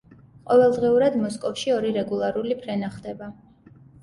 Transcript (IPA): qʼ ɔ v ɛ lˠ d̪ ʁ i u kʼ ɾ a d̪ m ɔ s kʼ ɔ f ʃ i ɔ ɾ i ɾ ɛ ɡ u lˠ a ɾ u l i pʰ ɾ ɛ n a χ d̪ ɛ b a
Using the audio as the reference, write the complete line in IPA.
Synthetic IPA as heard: qʼ ɔ v ɛ lˠ d̪ ʁ i u ɾ a d̪ m ɔ s kʼ ɔ f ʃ i ɔ ɾ i ɾ ɛ ɡ u lˠ a ɾ u l i pʰ ɾ ɛ n a χ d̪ ɛ b a